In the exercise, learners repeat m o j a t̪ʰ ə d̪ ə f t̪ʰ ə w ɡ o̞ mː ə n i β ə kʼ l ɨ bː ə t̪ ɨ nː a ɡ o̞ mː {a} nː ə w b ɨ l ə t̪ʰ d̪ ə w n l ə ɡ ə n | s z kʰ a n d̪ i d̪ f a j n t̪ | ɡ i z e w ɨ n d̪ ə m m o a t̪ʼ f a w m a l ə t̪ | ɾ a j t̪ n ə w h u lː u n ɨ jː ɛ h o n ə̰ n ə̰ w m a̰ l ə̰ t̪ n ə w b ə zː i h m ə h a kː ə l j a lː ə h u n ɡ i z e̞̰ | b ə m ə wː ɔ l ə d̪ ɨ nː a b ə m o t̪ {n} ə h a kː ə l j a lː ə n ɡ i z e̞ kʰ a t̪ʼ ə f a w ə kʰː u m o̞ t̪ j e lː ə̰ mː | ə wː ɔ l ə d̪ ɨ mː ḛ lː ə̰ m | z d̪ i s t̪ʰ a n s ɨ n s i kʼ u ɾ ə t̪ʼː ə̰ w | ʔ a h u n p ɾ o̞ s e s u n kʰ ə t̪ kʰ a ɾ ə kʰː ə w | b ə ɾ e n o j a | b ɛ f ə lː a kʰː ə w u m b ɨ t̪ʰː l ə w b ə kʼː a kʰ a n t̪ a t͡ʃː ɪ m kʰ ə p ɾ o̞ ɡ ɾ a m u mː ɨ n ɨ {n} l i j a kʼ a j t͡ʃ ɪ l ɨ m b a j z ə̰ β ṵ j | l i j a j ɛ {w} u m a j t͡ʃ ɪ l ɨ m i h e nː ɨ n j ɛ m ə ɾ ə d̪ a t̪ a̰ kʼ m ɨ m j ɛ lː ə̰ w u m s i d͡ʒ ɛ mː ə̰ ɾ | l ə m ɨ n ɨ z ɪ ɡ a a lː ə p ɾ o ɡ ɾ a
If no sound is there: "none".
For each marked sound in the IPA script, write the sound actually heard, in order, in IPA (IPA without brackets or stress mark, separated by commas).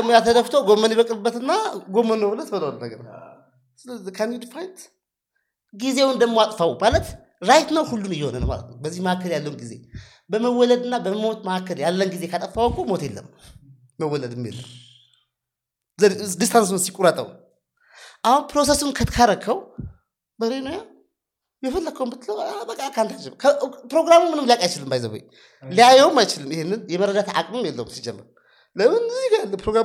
ə, m, m, w